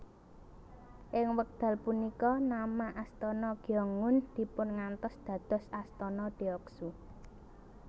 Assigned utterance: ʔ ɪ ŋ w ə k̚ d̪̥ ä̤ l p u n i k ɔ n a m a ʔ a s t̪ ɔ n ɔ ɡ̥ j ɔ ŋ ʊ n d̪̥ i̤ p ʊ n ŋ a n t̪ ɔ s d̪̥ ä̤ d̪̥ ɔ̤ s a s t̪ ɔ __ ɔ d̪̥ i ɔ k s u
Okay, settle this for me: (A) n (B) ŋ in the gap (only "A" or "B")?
A